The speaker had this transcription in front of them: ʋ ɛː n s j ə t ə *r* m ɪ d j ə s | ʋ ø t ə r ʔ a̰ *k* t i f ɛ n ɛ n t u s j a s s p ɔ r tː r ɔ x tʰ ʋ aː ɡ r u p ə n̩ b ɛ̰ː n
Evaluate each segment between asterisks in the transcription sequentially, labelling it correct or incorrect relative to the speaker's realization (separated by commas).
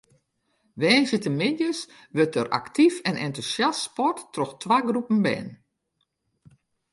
incorrect, correct